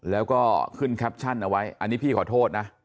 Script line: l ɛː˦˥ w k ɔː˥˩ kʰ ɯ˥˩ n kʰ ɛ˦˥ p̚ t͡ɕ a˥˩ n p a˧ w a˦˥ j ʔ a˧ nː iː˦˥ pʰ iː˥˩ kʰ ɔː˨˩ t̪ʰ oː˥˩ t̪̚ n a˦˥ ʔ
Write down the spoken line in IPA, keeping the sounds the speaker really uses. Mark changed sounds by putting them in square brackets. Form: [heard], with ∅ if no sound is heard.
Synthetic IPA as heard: l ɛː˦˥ w k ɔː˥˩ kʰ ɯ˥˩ n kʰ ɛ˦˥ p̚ [t͡ɕʰ] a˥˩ n [ʔ] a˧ w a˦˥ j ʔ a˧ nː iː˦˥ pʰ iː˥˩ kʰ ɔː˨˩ t̪ʰ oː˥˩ t̪̚ n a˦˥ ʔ